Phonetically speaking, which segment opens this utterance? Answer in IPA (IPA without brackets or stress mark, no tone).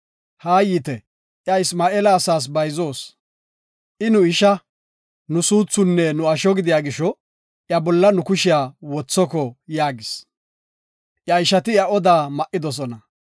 h